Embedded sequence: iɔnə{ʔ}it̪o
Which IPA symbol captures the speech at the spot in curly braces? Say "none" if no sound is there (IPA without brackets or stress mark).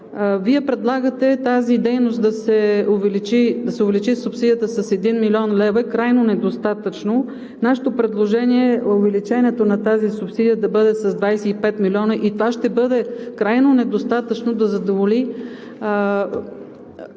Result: ʔ